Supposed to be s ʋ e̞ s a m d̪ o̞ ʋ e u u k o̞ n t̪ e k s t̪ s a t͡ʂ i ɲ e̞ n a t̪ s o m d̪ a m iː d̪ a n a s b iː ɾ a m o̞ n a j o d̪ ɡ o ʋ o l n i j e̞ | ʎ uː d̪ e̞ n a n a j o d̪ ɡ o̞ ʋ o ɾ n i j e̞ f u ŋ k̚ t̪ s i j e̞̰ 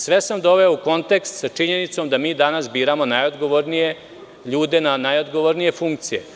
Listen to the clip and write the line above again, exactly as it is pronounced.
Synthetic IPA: s ʋ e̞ s a m d̪ o̞ ʋ e o u k o̞ n t̪ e k s t̪ s a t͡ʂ i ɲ e̞ n i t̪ s o m d̪ a m iː d̪ a n a s b iː ɾ a m o̞ n a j o d̪ ɡ o ʋ o ɾ n i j e̞ | ʎ uː d̪ e̞ n a n a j o d̪ ɡ o̞ ʋ o ɾ n i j e̞ f u ŋ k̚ t̪ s i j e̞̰